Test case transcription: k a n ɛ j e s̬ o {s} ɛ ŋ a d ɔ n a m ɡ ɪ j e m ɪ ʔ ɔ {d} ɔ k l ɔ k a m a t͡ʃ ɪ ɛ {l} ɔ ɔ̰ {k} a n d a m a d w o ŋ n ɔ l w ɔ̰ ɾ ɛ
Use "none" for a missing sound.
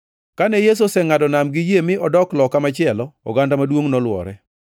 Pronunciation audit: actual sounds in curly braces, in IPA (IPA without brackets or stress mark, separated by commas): s, d, l, ɡ